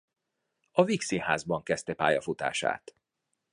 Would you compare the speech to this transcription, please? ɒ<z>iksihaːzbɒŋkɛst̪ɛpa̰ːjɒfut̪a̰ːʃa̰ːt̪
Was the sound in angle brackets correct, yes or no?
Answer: no